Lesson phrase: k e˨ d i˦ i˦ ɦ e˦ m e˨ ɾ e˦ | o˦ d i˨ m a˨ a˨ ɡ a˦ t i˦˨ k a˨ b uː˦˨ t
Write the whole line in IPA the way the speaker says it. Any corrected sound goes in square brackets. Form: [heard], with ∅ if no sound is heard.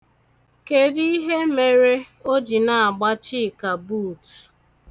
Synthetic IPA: k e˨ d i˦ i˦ ɦ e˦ m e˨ ɾ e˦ | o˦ [d͡ʒ] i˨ [n] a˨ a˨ [ɡ͡b] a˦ [t͡ʃ] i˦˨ k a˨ b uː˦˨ t

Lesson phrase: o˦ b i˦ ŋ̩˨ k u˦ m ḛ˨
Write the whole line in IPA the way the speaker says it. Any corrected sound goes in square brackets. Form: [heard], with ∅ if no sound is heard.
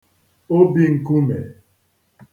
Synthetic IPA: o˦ b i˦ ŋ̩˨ k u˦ m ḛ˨

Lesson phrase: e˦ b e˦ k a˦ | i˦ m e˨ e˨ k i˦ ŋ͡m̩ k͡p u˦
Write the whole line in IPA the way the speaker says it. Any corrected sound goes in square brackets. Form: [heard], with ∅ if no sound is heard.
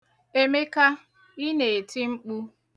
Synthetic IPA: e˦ [m] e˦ k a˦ | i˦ [n] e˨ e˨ [t] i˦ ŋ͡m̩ k͡p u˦

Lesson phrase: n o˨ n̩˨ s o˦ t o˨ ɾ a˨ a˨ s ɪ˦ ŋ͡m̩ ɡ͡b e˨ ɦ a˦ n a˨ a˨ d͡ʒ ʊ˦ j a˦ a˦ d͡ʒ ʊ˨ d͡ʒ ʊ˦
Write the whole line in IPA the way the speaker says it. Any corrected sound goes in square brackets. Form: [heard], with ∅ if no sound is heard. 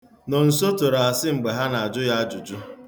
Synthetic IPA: n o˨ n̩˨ s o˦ t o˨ ɾ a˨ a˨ s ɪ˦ ŋ͡m̩ ɡ͡b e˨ ɦ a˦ n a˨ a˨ d͡ʒ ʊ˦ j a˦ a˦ d͡ʒ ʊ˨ d͡ʒ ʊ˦

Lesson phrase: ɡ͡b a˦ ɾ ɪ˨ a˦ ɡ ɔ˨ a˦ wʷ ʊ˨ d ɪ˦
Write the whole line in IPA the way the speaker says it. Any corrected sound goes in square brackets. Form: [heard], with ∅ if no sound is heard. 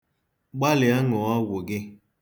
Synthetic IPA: ɡ͡b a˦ [l] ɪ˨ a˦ [ŋ] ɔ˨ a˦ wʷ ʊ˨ [ɡ] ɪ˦

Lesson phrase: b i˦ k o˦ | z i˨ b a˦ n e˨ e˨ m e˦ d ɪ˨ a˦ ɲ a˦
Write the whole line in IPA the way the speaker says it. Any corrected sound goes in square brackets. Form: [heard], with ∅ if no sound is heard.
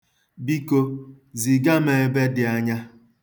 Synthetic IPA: b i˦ k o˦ | z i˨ [ɡ] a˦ [m] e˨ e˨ [b] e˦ d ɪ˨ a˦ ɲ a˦

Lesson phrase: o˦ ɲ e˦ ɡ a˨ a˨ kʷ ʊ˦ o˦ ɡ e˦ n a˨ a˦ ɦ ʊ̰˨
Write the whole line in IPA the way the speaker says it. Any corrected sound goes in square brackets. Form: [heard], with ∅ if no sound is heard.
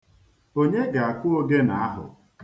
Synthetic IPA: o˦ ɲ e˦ ɡ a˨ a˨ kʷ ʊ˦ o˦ ɡ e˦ n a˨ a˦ ɦ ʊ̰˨

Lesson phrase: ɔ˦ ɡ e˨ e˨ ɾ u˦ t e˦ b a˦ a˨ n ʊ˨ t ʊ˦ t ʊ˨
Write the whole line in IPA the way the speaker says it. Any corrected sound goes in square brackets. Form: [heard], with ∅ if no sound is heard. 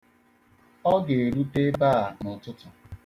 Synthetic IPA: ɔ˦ ɡ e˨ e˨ ɾ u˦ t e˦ b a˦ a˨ n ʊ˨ t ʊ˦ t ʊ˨

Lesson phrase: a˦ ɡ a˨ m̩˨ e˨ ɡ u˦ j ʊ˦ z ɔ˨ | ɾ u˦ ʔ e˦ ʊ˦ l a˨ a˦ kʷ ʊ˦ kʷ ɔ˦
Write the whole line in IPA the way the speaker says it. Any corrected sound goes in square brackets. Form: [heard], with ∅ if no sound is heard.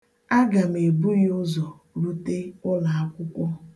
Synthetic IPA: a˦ ɡ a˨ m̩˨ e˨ [b] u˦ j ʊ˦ z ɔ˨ | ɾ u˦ [t] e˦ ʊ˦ l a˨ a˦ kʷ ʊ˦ kʷ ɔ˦

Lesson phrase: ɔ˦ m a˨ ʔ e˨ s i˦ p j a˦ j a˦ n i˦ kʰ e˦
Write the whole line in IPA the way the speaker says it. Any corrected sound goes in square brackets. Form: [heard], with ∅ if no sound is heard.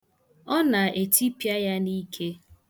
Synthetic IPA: ɔ˦ [n] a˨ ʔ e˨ [t] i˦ p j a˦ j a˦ n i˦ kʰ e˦

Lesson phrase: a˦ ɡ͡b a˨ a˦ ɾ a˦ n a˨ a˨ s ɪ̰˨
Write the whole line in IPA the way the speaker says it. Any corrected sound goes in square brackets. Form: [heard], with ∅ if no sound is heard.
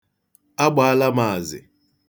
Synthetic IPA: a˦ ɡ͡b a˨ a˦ [l] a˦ [m] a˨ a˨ [z] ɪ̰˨

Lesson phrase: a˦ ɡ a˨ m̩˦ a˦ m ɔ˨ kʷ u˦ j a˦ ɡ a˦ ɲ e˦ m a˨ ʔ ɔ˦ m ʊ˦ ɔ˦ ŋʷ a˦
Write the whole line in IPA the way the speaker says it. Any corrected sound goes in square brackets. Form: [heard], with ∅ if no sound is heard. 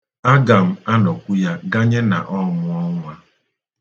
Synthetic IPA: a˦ ɡ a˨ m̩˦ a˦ [n] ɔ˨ kʷ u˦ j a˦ ɡ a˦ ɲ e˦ [n] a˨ ʔ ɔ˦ m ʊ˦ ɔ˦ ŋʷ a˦

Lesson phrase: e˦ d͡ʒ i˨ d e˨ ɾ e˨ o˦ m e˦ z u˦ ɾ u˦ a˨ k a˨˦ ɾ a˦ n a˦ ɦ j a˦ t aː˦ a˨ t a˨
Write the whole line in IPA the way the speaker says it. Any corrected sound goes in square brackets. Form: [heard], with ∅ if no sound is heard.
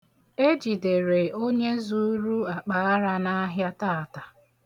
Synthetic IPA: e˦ d͡ʒ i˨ d e˨ ɾ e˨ o˦ [ɲ] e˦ z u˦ ɾ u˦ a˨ [k͡p] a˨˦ ɾ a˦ n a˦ ɦ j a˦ t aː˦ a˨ t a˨

